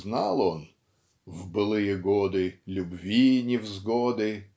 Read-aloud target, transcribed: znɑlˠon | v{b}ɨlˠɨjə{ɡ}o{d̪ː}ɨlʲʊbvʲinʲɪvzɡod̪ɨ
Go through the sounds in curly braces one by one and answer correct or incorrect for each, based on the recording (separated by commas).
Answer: correct, correct, incorrect